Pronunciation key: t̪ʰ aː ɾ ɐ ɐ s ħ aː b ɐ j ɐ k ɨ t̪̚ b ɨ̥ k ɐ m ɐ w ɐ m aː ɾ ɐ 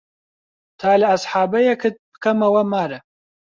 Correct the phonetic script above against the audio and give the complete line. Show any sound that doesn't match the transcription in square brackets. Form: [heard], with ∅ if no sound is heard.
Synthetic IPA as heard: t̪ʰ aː [l] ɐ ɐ s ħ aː b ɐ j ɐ k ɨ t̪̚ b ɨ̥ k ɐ m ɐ w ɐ m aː ɾ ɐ